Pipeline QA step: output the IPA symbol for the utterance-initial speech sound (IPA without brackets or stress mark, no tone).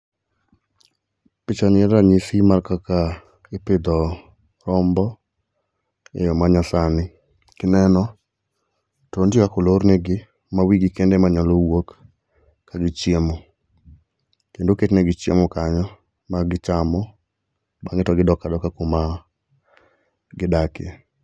p